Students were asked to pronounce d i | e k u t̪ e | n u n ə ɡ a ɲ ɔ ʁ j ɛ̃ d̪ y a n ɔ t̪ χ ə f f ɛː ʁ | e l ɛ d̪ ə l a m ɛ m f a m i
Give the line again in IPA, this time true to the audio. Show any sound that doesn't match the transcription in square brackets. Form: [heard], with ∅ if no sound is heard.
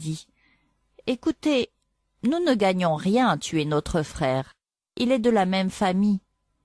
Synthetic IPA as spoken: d i | e k u t̪ e | n u n ə ɡ a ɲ [ɔ̃] ʁ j ɛ̃ [t̪] y [ɛ] n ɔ t̪ χ ə f [χ] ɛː ʁ | [i] l ɛ d̪ ə l a m ɛ m f a m i